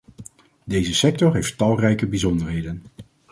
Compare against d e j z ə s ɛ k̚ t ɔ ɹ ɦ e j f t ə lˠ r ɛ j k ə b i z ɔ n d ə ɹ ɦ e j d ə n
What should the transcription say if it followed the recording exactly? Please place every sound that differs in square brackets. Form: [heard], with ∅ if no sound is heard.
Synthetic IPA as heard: d e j z ə s ɛ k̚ t ɔ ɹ ɦ e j f t [ɑ] lˠ r ɛ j k ə b i z ɔ n d ə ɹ ɦ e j d ə n